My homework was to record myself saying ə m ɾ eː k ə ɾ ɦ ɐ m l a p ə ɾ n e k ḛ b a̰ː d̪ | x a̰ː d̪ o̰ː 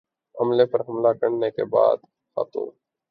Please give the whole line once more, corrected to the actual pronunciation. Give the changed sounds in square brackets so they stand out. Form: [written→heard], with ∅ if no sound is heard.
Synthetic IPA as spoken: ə m [ɾ→l] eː [k→p] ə ɾ ɦ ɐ m l a [p→k] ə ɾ n e k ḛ b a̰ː d̪ | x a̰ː [d̪→t̪] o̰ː